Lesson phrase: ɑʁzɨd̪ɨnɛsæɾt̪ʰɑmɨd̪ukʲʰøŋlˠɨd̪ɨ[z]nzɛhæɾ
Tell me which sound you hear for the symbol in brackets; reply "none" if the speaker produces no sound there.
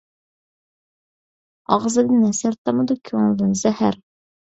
none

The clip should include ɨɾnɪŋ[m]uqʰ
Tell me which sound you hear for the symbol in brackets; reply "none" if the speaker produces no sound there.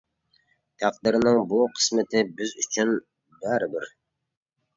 b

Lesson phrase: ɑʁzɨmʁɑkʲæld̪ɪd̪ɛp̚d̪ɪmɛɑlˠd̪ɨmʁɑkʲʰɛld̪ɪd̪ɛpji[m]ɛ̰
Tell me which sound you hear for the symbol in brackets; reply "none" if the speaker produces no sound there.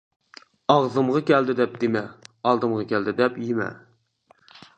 m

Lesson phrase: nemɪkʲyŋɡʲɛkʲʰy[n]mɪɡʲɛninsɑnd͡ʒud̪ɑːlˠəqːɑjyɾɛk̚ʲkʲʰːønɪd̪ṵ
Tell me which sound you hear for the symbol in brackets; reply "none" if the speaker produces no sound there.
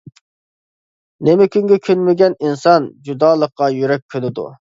n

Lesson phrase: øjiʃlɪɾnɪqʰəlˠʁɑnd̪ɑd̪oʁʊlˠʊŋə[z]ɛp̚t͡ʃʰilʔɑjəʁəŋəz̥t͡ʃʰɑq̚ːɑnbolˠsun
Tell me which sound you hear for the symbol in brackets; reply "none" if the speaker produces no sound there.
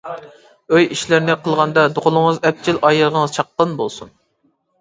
z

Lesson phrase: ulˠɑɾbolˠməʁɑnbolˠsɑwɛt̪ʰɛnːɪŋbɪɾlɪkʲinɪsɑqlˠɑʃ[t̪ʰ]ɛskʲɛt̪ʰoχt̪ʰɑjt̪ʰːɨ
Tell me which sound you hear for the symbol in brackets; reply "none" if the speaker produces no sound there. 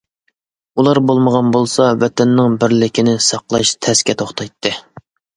t̪ʰ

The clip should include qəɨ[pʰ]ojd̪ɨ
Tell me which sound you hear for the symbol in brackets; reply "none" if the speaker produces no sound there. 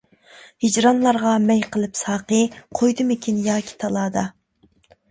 qʰ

